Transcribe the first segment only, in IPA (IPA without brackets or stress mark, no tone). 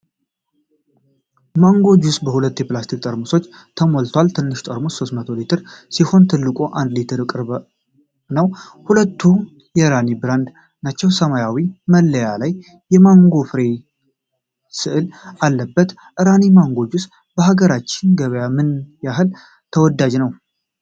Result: m